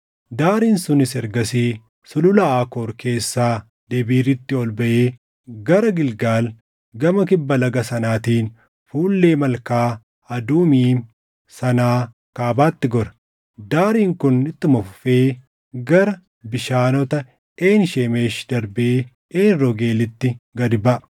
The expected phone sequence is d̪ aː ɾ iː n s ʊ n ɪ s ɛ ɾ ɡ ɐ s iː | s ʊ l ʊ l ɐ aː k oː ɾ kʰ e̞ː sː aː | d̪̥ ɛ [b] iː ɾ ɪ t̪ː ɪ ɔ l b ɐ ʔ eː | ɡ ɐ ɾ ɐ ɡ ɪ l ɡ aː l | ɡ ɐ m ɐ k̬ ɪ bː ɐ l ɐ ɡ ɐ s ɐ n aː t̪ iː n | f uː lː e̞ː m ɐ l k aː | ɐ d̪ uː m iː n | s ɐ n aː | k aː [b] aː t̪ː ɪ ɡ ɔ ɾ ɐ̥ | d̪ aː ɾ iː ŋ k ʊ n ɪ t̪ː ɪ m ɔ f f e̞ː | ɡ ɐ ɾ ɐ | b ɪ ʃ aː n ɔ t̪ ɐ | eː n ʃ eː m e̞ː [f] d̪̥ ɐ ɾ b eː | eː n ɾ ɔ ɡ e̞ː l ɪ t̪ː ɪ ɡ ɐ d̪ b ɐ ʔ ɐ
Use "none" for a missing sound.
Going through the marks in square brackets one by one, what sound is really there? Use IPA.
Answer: b, b, ʃ

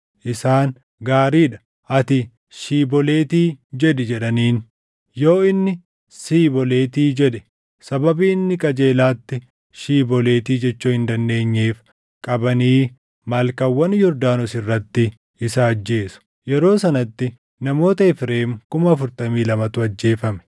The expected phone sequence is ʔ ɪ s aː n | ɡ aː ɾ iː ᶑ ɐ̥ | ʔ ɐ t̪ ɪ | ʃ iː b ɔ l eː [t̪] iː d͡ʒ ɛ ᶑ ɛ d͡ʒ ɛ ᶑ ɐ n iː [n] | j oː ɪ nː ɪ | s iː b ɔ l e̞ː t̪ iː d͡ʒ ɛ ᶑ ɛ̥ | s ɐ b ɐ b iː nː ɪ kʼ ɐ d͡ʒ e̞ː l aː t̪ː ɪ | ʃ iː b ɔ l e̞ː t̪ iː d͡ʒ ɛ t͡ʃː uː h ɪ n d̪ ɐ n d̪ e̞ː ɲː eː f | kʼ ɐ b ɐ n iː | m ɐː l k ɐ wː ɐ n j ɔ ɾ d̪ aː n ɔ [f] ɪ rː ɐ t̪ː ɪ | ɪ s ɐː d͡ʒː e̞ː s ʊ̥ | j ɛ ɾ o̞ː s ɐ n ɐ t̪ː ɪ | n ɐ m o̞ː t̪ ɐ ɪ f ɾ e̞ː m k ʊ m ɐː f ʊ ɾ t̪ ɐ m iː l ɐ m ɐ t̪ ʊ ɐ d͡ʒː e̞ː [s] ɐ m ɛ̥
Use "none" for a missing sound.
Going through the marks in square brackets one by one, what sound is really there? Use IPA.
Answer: t̪, n, s, f

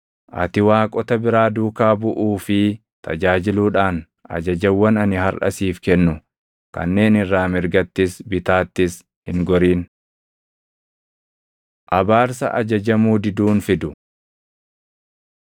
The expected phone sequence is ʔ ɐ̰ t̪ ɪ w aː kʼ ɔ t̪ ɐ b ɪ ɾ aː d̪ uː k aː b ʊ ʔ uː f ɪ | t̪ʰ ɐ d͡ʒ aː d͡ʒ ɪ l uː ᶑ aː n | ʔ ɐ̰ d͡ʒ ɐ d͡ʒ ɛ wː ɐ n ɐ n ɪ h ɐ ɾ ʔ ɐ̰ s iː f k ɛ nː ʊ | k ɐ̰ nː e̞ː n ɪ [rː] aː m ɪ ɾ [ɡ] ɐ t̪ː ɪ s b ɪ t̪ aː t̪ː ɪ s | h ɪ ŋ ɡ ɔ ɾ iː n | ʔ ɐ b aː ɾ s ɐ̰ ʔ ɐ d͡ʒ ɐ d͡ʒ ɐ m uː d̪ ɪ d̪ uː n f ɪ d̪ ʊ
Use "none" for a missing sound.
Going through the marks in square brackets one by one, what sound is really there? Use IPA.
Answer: rː, ɡ

